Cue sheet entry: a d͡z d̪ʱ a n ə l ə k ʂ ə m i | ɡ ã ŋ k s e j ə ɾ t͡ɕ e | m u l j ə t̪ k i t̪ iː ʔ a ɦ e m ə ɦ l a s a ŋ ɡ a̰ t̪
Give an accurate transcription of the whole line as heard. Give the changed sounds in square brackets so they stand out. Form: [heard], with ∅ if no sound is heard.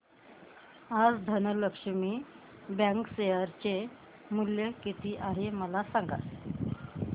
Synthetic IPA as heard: a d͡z d̪ʱ [ə] n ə l ə k ʂ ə m i | [b] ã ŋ k s e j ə ɾ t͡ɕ e | m u l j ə [∅] k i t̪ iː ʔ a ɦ e m ə [∅] l a s a ŋ ɡ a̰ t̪